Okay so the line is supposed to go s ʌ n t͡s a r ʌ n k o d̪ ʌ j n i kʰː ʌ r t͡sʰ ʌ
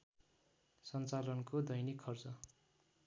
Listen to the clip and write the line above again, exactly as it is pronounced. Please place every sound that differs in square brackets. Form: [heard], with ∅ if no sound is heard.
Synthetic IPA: s ʌ n t͡s a [l] ʌ n k o d̪ ʌ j n i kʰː ʌ r [t͡s] ʌ

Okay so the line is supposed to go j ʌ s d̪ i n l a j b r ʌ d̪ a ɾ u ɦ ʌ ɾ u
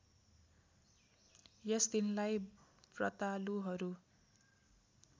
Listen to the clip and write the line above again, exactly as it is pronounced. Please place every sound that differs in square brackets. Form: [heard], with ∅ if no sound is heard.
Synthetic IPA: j ʌ s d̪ i n l a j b r ʌ [t̪] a [l] u ɦ ʌ ɾ u

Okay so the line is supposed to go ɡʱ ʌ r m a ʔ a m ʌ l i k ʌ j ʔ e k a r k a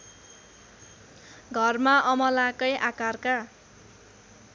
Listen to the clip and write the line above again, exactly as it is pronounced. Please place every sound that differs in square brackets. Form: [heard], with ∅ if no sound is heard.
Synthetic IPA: ɡʱ ʌ r m a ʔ [ʌ] m ʌ l [a] k ʌ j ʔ [a] k a r k a

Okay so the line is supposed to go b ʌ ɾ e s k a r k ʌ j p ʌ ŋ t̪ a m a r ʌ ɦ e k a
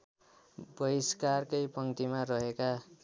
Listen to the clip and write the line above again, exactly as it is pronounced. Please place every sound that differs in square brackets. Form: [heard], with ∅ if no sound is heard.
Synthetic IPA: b ʌ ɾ [i] s k a r k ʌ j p ʌ ŋ t̪ [i] m a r ʌ ɦ e k a

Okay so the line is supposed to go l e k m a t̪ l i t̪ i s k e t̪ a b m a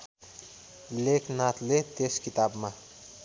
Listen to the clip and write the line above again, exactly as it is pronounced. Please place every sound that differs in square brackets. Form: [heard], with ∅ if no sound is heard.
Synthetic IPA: l e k [n] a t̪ l [e] t̪ [e] s k [i] t̪ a b m a

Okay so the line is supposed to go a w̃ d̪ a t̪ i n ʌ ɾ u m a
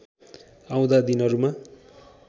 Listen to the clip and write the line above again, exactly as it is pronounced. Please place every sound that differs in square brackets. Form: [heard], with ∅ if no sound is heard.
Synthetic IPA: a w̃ d̪ a [d̪] i n ʌ ɾ u m a

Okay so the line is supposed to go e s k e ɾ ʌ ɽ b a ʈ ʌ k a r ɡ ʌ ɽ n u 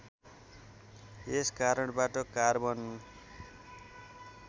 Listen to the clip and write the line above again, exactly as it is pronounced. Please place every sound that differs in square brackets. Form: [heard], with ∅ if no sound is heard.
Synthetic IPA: e s k [a] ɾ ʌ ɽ b a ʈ ʌ k a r [b] ʌ [∅] n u

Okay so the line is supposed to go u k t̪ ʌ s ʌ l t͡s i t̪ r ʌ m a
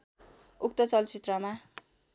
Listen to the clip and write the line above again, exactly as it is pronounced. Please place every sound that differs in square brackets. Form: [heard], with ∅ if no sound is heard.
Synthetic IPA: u k t̪ ʌ [t͡s] ʌ l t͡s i t̪ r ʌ m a

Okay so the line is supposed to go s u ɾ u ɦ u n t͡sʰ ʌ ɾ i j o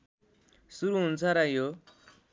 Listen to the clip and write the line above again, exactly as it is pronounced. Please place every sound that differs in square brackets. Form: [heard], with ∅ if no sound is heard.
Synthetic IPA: s u ɾ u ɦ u n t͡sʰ [a] ɾ [a] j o

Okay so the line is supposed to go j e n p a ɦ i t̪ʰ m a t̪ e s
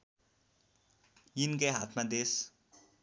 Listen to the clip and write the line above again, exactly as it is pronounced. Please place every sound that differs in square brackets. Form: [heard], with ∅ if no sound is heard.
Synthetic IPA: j [i] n [k] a ɦ [a] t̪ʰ m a [d̪] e s

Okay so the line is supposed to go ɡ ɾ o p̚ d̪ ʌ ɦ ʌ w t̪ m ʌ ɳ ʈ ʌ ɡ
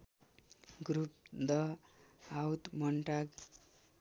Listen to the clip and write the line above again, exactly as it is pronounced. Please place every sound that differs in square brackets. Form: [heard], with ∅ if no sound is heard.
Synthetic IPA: ɡ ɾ [u] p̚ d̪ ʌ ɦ [a] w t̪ m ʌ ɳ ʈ [a] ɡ

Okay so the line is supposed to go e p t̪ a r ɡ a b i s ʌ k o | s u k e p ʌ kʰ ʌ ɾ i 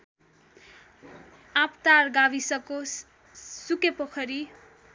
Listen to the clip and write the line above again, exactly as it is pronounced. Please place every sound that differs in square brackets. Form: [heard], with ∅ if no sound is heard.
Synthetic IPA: [a] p t̪ a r ɡ a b i s ʌ k o | s u k e p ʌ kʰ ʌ ɾ i

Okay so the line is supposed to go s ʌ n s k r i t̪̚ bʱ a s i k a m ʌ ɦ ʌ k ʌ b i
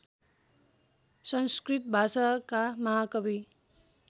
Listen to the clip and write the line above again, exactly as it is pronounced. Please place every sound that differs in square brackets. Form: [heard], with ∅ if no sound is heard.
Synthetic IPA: s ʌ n s k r i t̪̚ bʱ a s [a] k a m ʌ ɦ [a] k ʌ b i

